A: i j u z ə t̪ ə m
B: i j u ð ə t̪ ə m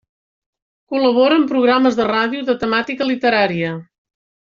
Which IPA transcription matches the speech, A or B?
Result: B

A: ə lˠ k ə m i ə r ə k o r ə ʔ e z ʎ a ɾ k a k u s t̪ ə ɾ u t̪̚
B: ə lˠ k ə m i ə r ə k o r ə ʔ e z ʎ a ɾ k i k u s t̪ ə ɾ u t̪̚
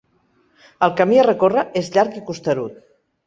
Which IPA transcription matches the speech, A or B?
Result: B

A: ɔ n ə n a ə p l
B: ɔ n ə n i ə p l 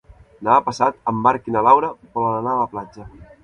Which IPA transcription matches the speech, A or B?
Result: A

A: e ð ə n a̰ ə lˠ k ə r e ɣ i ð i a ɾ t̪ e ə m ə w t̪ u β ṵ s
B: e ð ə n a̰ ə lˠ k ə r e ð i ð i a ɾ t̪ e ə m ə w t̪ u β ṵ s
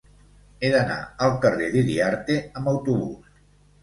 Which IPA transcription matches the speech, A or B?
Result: B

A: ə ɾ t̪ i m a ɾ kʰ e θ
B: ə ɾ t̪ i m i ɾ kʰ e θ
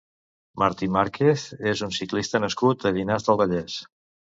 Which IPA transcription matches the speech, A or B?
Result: A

